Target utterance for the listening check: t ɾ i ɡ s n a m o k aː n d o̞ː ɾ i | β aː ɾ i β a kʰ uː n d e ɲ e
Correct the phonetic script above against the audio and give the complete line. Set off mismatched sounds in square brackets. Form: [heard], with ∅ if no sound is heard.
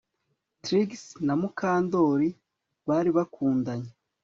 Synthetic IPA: t ɾ i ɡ s n a m [u] k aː n d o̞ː ɾ i | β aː ɾ i β a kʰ uː n d [a] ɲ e